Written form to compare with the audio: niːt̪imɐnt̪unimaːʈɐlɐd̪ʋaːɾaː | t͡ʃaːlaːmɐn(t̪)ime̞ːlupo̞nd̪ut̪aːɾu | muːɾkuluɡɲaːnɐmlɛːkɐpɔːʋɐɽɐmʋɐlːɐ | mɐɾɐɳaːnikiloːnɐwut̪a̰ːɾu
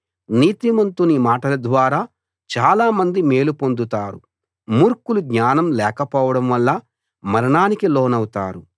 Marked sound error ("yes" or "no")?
yes